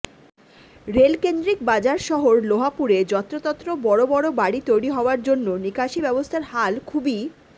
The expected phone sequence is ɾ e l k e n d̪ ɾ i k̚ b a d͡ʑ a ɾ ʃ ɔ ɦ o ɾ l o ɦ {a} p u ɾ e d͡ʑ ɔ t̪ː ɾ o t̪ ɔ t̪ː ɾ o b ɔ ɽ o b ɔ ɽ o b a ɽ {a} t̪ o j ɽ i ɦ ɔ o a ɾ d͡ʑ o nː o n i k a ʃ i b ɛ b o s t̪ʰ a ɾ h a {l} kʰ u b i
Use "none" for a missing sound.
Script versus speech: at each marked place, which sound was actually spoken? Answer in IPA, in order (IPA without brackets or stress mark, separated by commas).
a, i, l